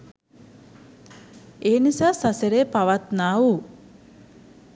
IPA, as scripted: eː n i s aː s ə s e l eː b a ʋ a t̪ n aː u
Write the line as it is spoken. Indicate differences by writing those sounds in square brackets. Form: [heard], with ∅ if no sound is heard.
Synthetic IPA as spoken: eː n i s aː s [a] s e [ɾ] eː [p] a ʋ a t̪ n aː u